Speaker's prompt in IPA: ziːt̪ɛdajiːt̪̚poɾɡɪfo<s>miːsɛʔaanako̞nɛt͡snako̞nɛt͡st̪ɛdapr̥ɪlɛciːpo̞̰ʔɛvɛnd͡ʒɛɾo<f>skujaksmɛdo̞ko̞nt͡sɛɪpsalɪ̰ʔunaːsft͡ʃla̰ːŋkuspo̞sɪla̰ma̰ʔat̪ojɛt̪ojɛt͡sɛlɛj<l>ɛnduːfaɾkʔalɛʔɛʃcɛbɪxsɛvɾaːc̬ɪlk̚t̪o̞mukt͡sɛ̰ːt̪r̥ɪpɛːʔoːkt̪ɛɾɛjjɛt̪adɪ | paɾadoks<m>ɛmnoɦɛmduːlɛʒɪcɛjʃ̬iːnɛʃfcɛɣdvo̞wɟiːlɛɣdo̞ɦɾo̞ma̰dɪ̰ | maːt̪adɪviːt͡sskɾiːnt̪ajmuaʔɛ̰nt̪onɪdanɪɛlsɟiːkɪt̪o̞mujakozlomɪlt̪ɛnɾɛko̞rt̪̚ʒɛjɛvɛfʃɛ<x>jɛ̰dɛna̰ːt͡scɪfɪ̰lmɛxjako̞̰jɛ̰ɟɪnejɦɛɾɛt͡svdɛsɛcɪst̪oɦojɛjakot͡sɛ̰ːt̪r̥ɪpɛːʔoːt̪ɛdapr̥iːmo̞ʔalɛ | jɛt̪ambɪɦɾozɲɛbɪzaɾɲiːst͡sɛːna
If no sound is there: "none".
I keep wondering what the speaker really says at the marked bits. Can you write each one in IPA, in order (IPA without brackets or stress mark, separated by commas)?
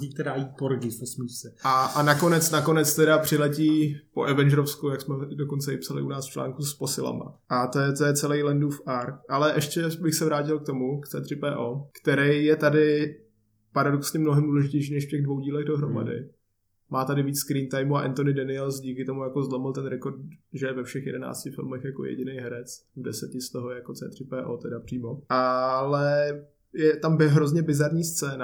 s, f, l, ɲ, x